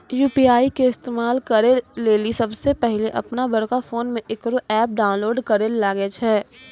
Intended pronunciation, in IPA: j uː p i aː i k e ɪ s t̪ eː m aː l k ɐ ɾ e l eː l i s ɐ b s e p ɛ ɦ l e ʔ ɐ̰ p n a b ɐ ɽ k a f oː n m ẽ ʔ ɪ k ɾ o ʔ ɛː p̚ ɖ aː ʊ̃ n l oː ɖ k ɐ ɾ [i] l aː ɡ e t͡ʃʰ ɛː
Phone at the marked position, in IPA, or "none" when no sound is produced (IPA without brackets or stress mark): e